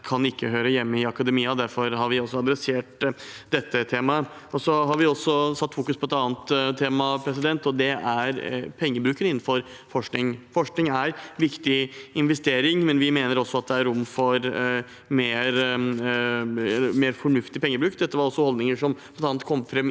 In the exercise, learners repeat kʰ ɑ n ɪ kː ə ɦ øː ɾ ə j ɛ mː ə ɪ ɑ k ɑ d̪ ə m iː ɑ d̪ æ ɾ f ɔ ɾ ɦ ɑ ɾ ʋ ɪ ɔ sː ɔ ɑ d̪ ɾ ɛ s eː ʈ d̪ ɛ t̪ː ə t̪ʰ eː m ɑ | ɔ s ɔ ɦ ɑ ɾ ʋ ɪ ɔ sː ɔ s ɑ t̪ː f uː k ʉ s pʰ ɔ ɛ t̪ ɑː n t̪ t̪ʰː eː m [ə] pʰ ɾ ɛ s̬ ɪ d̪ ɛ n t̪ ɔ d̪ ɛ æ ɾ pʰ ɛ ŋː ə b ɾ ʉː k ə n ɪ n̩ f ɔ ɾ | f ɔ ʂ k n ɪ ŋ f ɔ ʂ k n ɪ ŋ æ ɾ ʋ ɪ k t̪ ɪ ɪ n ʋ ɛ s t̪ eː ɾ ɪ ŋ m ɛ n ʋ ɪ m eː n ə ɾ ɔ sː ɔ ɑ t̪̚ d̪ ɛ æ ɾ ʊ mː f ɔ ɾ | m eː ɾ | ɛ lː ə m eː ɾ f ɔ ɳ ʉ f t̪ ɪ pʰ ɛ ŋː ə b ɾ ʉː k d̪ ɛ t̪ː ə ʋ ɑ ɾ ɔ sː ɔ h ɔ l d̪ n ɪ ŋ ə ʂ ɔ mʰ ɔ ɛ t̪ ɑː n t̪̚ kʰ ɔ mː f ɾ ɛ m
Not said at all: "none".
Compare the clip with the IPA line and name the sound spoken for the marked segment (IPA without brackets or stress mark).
ɑ